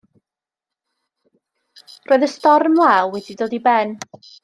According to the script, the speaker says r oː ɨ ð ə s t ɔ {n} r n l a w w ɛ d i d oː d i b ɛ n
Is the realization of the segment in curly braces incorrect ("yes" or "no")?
yes